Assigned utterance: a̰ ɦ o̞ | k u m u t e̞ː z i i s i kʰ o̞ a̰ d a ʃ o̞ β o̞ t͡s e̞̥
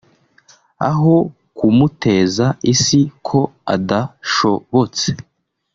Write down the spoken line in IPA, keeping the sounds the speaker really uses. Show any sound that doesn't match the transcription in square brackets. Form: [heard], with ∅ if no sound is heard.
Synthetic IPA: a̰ ɦ o̞ | k u m u t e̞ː z [a] i s i kʰ o̞ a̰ d a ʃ o̞ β o̞ t͡s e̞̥

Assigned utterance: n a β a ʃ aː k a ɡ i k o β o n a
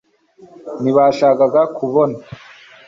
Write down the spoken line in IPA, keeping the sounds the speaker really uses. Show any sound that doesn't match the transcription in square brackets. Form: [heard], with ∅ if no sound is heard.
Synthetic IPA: n [i] β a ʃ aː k a ɡ [a] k [u] β o n a

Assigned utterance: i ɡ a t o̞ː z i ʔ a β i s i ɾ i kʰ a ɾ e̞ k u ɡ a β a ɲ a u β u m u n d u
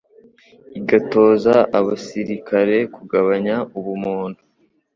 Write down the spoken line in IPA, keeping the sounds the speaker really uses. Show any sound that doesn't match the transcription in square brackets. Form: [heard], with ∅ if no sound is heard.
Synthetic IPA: i ɡ a t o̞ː z [a] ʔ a β [a] s i ɾ i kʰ a ɾ e̞ k u ɡ a β a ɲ a u β u m [uː] n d u

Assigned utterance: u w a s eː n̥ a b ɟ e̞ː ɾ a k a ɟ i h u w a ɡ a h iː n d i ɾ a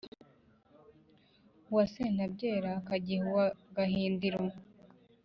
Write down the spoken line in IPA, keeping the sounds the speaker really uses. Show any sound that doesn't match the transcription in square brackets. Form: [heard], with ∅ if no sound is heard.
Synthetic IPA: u w a s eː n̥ a b ɟ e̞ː ɾ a k a ɟ i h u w a ɡ a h iː n d i ɾ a

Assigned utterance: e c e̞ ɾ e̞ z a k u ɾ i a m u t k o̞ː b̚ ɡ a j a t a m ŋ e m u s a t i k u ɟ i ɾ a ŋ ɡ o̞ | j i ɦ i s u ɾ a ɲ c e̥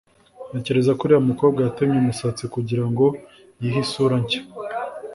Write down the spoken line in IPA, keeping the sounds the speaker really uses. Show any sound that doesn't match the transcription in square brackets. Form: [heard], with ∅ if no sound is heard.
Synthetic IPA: e c e̞ ɾ e̞ z a k u ɾ i a m u [∅] k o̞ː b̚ ɡ a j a t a m [ɲ] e m u s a [t͡s] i k u ɟ i ɾ a ŋ ɡ o̞ | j i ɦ i s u ɾ a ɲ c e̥

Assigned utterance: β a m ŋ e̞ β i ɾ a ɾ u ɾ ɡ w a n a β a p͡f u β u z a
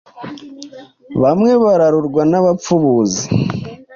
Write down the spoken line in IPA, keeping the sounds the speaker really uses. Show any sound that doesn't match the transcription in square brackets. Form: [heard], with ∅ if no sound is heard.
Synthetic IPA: β a m ŋ e̞ β [a] ɾ a ɾ u ɾ ɡ w a n a β a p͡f u β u z [i]

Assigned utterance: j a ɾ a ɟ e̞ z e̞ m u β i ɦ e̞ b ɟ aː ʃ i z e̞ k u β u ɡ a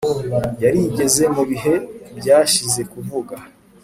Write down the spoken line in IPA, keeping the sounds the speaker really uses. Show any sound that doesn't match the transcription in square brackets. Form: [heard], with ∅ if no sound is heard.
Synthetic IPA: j a ɾ [i] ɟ e̞ z e̞ m u β i ɦ e̞ b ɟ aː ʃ i z e̞ k u [v] u ɡ a

